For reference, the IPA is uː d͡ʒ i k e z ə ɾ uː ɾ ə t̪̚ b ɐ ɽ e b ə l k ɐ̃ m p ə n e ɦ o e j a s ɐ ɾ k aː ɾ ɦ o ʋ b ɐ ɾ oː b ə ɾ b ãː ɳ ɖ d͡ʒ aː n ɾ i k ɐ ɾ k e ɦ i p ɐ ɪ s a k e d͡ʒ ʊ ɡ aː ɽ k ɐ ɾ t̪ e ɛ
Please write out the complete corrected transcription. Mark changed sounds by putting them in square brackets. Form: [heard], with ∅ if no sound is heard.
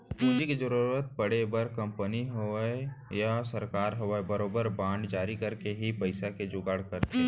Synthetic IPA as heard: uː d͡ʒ i k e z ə ɾ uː ɾ ə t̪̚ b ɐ ɽ e b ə [ɾ] k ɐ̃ m p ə n [i] ɦ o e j a s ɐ ɾ k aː ɾ ɦ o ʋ b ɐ ɾ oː b ə ɾ b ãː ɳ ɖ d͡ʒ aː [∅] ɾ i k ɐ ɾ k e ɦ i p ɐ ɪ s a k e d͡ʒ ʊ ɡ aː ɽ k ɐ ɾ t̪ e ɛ